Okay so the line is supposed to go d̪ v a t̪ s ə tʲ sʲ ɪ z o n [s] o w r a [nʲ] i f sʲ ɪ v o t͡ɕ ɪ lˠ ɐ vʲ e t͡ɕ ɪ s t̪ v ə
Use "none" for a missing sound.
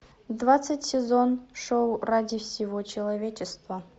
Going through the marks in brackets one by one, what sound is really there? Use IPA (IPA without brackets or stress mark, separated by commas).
ʂ, dʲ